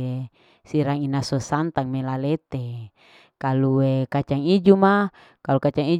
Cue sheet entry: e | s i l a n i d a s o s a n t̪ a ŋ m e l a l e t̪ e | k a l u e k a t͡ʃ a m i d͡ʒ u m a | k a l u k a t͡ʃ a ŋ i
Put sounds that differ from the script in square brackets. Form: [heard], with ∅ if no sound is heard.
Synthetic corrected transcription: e | s i [ɾ] a [ŋ] i [n] a s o s a n t̪ a ŋ m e l a l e t̪ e | k a l u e k a t͡ʃ a [ŋ] i d͡ʒ u m a | k a l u k a t͡ʃ a ŋ i